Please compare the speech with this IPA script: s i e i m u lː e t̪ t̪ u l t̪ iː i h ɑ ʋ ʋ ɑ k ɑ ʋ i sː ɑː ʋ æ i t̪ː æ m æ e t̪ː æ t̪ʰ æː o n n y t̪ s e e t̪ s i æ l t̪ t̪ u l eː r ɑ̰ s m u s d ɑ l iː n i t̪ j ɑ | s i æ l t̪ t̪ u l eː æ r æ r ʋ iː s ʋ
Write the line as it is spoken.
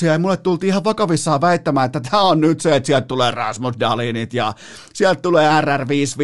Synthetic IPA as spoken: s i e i m u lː e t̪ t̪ u l t̪ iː i h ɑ ʋ ʋ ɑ k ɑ ʋ i sː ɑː ʋ æ i t̪ː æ m æː e t̪ː æ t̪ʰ æː o n n y t̪ s e e t̪ s i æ l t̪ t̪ u l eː r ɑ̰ s m u s d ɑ l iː n i t̪ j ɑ | s i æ l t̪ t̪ u l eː æ r æ r ʋ iː s ʋ